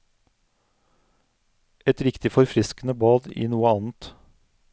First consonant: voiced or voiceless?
voiceless